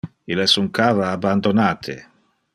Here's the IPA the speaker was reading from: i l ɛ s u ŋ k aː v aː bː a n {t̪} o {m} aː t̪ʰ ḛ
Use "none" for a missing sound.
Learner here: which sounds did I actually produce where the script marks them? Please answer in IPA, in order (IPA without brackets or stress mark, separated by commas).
d̪, n